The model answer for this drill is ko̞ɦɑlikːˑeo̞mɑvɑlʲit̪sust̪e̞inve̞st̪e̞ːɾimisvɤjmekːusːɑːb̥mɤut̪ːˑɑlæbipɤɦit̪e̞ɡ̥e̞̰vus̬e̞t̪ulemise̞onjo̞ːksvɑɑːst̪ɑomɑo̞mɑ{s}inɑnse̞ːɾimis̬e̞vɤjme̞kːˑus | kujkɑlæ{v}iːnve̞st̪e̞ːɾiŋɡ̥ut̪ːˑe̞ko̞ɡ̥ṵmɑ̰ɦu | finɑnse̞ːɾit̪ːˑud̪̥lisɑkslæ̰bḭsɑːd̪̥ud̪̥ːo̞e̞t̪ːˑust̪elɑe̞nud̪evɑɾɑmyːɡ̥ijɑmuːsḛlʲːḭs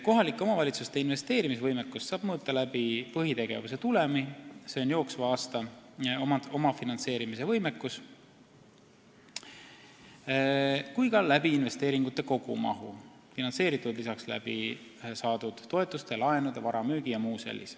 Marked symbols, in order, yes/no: no, no

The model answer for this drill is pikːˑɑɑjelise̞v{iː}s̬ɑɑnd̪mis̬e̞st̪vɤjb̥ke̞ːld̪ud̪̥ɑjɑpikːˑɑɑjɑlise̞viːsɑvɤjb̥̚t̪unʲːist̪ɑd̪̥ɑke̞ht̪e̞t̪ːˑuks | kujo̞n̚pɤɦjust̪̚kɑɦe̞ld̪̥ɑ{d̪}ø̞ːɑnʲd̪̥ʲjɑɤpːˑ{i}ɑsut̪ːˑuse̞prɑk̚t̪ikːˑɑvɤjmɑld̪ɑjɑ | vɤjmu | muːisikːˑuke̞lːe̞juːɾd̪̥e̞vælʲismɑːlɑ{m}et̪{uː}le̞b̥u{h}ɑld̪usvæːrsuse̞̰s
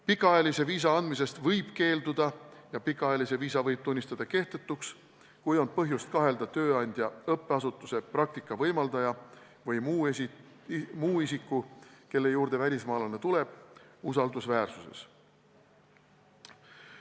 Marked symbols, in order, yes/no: yes, no, no, no, no, no

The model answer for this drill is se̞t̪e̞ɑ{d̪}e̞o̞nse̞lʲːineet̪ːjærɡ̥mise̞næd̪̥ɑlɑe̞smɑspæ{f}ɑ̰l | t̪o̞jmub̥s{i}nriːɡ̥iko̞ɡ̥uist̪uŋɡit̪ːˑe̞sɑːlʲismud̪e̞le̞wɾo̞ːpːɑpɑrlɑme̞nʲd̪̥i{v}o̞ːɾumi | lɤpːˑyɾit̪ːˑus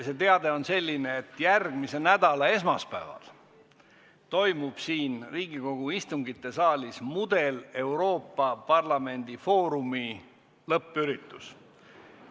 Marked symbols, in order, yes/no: yes, no, no, no

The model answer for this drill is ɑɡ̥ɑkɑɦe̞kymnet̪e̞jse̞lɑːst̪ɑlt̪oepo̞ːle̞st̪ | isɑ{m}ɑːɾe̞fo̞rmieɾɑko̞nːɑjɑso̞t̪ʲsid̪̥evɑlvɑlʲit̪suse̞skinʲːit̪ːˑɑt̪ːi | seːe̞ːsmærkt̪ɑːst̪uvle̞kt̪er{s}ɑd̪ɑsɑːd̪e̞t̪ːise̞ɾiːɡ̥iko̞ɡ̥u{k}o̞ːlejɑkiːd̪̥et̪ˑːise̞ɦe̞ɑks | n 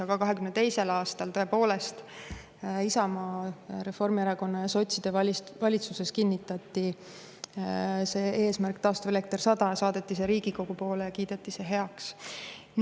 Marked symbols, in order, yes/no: yes, yes, no

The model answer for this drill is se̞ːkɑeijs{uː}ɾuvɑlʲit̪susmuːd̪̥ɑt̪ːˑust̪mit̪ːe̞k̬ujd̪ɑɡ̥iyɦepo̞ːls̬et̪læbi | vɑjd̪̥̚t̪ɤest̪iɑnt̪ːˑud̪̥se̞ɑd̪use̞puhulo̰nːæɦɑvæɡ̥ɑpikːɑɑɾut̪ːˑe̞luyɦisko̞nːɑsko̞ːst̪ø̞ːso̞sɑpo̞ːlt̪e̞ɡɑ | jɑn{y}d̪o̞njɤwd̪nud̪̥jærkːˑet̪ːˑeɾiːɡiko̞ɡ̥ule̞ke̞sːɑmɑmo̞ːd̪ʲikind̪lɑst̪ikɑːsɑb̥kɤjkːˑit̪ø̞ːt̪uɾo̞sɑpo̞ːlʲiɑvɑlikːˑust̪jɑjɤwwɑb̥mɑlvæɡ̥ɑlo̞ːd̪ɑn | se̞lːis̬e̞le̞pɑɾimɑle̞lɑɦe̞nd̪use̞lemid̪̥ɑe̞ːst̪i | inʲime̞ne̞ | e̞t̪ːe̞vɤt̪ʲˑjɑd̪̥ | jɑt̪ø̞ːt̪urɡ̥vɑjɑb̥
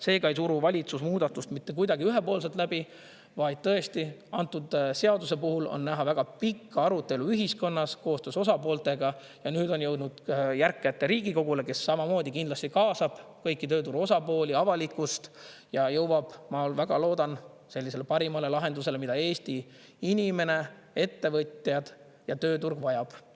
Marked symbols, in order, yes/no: no, no

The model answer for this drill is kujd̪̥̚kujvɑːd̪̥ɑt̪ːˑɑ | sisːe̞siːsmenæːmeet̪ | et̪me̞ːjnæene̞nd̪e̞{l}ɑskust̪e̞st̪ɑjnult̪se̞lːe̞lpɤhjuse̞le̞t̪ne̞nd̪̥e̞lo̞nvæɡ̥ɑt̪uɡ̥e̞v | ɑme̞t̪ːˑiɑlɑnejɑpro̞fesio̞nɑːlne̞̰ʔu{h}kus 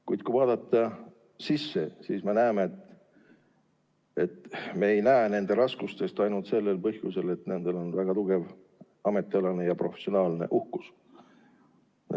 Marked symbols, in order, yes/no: no, yes

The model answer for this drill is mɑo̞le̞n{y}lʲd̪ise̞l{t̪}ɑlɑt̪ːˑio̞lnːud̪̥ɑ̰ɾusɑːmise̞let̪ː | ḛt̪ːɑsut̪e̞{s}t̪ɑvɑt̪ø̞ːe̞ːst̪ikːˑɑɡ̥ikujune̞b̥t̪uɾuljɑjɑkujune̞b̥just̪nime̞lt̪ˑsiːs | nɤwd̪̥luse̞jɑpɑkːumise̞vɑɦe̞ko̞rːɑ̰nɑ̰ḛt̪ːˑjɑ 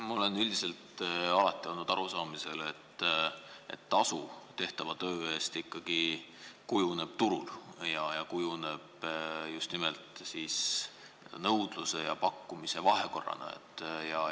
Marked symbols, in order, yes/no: yes, yes, no

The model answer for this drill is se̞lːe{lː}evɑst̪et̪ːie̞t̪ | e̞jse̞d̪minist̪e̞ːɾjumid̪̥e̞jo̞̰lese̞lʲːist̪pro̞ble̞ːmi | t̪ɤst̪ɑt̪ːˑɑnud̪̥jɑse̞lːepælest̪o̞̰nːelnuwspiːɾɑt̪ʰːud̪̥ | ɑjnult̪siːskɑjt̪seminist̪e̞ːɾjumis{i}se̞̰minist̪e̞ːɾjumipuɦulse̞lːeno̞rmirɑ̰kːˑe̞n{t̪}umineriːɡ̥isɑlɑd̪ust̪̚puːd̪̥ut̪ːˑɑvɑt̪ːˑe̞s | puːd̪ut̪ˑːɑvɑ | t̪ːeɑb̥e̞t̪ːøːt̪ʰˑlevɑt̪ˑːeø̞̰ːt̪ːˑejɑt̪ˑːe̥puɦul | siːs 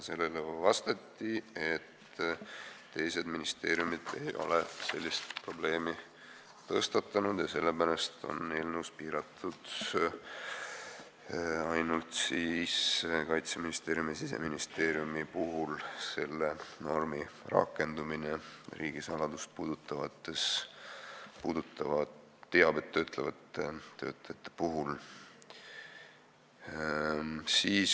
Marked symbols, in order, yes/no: no, yes, no

